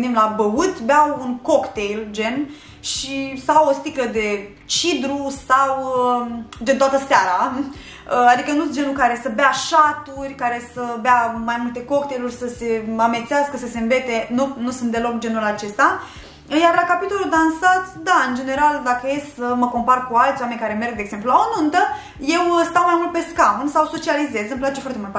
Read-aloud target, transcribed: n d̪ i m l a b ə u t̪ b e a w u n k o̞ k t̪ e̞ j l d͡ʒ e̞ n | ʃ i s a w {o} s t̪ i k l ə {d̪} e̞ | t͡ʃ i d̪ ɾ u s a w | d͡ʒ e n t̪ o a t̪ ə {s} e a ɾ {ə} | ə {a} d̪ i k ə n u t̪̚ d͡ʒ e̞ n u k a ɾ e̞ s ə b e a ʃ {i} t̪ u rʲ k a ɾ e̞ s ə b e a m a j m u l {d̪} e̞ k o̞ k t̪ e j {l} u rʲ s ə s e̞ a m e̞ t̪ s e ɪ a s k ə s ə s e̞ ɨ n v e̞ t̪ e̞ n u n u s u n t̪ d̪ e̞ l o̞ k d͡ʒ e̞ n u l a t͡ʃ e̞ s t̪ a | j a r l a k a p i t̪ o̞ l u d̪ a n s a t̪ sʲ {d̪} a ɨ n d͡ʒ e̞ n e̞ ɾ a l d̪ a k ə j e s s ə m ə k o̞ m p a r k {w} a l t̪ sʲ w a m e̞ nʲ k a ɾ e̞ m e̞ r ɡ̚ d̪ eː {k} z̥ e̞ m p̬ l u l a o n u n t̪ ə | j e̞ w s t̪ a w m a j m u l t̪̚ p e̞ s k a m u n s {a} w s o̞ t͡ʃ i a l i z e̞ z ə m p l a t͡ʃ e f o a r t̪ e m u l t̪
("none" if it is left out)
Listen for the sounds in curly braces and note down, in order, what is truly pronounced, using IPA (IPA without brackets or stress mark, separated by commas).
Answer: o, d̪, s, a, a, a, t̪, l, d̪, u, ɡ, a